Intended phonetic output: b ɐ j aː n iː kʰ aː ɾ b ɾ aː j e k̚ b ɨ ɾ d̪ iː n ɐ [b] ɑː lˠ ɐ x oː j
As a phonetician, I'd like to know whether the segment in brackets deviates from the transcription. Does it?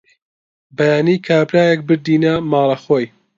yes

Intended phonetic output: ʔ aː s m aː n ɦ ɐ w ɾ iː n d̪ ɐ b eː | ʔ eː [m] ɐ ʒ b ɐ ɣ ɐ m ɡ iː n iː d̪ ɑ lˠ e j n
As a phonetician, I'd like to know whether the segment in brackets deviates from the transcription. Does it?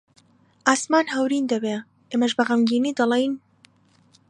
no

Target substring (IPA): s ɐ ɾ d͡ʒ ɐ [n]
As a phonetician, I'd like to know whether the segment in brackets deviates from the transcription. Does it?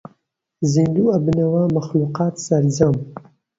yes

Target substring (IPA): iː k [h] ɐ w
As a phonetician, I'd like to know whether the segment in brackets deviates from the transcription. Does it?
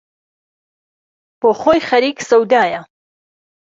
yes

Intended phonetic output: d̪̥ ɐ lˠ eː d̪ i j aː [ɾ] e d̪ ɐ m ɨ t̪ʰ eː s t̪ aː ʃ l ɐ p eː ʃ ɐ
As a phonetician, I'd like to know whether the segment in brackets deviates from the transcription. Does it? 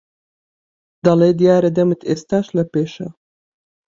no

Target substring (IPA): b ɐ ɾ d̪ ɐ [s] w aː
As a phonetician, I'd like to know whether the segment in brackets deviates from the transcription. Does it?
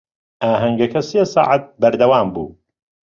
yes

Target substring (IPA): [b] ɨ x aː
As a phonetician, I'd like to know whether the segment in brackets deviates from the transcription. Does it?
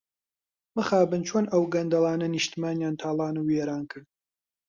yes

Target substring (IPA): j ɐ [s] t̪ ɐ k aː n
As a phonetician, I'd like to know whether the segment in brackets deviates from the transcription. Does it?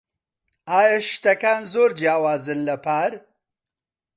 yes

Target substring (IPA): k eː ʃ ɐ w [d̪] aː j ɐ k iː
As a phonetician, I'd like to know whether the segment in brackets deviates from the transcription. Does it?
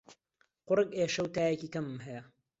yes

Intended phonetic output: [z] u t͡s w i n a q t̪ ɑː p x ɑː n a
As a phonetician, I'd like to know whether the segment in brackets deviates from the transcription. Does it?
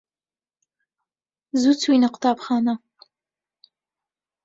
no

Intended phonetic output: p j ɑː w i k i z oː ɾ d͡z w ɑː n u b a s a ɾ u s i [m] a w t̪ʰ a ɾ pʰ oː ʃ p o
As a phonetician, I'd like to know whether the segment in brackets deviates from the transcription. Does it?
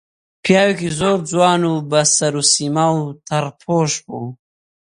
no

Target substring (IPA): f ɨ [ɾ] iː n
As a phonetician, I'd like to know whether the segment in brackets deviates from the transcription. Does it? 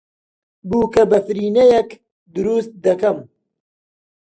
no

